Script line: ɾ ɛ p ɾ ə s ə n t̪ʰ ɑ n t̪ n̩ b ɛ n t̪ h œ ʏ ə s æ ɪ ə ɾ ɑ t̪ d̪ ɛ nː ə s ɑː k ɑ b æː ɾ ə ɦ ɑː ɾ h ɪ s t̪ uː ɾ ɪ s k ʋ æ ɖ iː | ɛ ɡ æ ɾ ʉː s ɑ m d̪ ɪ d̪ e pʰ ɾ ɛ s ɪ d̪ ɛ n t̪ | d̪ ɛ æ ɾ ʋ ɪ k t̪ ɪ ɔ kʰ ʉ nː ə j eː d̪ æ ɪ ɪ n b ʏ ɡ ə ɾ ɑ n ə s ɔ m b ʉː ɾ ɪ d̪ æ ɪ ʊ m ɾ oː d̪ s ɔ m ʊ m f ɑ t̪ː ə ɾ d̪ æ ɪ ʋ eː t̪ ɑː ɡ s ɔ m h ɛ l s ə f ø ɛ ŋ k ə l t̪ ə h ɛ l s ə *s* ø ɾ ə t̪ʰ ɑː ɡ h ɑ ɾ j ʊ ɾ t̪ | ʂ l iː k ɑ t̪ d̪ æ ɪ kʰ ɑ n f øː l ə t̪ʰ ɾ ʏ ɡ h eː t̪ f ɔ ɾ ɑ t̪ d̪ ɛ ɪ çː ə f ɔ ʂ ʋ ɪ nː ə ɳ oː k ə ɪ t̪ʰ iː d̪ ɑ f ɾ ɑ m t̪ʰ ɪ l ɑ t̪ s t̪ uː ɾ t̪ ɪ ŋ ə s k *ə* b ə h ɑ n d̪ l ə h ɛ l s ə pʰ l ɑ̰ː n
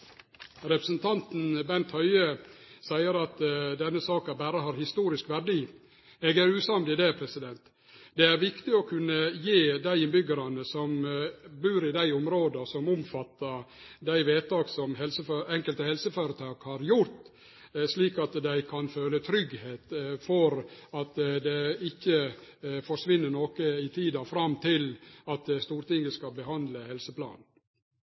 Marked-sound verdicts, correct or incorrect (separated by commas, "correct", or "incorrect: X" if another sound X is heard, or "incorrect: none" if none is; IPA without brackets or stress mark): incorrect: f, incorrect: ɑ